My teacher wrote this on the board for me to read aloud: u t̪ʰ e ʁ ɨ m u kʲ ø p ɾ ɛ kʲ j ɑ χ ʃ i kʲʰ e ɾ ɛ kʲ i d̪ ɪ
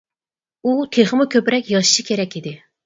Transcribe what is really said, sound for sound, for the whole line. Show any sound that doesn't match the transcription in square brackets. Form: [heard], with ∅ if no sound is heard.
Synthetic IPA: u t̪ʰ e [χ] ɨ m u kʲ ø p ɾ ɛ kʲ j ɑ [ʃ] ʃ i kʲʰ e ɾ ɛ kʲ i d̪ ɪ